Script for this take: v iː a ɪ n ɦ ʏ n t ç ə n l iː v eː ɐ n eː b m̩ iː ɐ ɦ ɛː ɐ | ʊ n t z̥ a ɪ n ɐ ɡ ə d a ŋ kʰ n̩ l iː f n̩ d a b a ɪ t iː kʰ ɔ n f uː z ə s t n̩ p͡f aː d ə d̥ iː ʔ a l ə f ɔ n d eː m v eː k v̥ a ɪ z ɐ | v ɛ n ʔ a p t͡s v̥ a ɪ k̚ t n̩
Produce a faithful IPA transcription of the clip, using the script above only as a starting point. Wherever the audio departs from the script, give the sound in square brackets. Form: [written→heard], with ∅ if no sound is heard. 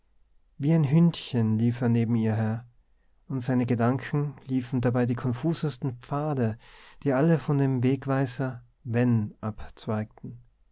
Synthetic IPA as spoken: v iː a ɪ n ɦ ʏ n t ç ə n l iː [v→f] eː ɐ n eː b m̩ iː ɐ ɦ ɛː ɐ | ʊ n t z̥ a ɪ n [ɐ→ə] ɡ ə d a ŋ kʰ n̩ l iː f n̩ d a b a ɪ [t→d] iː kʰ ɔ n f uː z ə s t n̩ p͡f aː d ə d̥ iː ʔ a l ə f ɔ n d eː m v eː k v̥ a ɪ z ɐ | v ɛ n ʔ a p t͡s v̥ a ɪ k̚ t n̩